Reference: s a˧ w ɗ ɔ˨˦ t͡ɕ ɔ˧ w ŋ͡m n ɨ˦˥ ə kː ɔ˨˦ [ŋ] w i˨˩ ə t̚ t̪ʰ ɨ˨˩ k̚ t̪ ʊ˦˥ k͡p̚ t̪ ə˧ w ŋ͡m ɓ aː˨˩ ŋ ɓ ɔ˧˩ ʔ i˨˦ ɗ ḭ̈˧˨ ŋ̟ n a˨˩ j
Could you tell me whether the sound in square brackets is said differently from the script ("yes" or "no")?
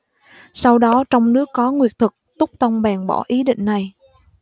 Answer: no